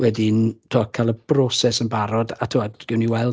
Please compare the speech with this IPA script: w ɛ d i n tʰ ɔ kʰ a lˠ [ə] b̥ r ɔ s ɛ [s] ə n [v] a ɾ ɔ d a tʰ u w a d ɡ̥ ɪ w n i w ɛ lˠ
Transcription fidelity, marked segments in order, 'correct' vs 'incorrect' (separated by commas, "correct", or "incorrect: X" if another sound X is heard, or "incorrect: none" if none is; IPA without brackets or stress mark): correct, correct, incorrect: b